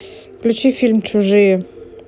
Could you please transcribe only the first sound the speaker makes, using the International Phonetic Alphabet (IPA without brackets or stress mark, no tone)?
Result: k